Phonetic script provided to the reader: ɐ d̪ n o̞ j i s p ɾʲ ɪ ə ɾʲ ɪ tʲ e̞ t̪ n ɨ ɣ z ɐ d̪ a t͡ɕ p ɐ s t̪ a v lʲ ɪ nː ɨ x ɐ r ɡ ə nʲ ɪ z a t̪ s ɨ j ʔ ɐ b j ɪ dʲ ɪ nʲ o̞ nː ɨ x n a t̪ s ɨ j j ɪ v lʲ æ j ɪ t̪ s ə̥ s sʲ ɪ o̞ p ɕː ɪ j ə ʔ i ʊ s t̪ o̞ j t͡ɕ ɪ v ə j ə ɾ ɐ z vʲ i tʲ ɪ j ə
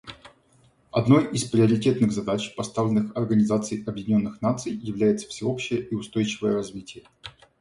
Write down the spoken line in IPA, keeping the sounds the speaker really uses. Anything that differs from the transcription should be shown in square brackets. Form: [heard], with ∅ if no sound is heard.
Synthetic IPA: ɐ d̪ n o̞ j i s p ɾʲ ɪ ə ɾʲ ɪ tʲ e̞ t̪ n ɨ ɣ z ɐ d̪ a t͡ɕ p ɐ s t̪ a v lʲ ɪ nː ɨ x ɐ r ɡ ə nʲ ɪ z a t̪ s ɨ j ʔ ɐ b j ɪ dʲ ɪ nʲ o̞ nː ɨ x n a t̪ s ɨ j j ɪ v lʲ æ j ɪ t̪ s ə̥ [f] sʲ ɪ o̞ p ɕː ɪ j ə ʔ i ʊ s t̪ o̞ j t͡ɕ ɪ v ə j ə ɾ ɐ z vʲ i tʲ ɪ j ə